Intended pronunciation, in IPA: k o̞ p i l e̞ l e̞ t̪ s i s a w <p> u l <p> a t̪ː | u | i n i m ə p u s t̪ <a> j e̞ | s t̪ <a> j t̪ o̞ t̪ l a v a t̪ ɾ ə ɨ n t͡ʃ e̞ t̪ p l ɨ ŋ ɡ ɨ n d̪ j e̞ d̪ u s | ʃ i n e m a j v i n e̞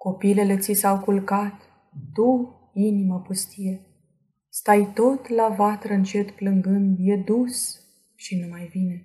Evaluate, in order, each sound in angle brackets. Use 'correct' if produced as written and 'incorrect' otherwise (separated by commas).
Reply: incorrect, incorrect, incorrect, correct